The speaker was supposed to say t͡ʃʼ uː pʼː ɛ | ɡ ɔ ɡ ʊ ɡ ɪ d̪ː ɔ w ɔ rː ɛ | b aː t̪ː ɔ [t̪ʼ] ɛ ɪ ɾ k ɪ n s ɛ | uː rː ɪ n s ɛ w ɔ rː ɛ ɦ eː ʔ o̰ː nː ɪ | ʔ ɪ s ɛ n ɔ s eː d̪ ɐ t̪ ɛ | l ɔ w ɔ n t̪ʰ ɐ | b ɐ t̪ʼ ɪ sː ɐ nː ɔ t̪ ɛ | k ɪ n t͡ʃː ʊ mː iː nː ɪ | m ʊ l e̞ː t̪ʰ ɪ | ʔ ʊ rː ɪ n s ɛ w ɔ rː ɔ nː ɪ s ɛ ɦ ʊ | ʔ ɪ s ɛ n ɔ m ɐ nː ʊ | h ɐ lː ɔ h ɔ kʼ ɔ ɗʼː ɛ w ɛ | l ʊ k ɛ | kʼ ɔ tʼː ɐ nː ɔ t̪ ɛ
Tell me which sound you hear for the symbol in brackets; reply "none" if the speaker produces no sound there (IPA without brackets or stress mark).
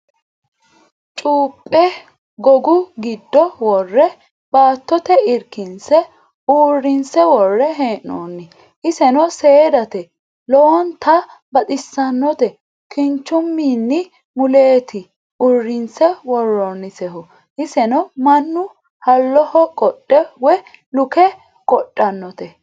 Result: t̪